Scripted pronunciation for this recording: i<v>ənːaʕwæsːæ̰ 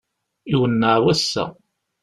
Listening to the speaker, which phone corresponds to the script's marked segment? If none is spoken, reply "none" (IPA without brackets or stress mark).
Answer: w